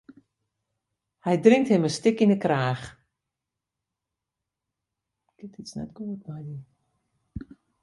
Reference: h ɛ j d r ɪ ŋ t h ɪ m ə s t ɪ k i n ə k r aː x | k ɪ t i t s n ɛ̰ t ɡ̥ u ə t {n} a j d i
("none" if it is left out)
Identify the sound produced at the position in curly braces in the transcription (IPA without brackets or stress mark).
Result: m